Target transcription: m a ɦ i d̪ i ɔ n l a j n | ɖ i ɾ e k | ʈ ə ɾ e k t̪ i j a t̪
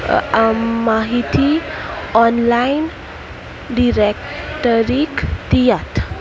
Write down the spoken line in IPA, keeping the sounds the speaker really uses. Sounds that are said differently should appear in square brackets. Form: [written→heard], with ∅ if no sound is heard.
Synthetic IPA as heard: m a ɦ i [d̪→t̪] i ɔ n l a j n | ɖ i ɾ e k | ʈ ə ɾ [e→i] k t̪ i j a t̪